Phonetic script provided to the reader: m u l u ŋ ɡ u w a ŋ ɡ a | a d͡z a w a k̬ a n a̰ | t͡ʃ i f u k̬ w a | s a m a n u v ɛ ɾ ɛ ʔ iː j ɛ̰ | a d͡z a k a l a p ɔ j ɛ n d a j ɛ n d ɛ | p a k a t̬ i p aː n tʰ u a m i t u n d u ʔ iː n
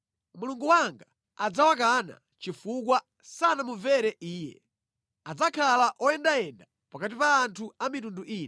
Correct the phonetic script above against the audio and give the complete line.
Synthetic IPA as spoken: m u l u ŋ ɡ u w a ŋ ɡ a | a d͡z a w a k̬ a n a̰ | t͡ʃ i f u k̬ w a | s a n a m u v ɛ ɾ ɛ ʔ iː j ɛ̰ | a d͡z a kʰ a l a ʔ ɔ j ɛ n d a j ɛ n d a | p a k a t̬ i p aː n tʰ u a m i t u n d u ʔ iː n